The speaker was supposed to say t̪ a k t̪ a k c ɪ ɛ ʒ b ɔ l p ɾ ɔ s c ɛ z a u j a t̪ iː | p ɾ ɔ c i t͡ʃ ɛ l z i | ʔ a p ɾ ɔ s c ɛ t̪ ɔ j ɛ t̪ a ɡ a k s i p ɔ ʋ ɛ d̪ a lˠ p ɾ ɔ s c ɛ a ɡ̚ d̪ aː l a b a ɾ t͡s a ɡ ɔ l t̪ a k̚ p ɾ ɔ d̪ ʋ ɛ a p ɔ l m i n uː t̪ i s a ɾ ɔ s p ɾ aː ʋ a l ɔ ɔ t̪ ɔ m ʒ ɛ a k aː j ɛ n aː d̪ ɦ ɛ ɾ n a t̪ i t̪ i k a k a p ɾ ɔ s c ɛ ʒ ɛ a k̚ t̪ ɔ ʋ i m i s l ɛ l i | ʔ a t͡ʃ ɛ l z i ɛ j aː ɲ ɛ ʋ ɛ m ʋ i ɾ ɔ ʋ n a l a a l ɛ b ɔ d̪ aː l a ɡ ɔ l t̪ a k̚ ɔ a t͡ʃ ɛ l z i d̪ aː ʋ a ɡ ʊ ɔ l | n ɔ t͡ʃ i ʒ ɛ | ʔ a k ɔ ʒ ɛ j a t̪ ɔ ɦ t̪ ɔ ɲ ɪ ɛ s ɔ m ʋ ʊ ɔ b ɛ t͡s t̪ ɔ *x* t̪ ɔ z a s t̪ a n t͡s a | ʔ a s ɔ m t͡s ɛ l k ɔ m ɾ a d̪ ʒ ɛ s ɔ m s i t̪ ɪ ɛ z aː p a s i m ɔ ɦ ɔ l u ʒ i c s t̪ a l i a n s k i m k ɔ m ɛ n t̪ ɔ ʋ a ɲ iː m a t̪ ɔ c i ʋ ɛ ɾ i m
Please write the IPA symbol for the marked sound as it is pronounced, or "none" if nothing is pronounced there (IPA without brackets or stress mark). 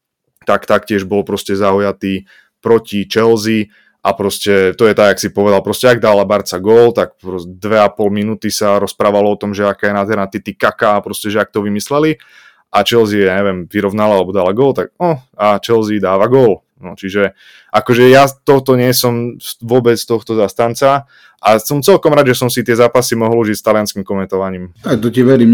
x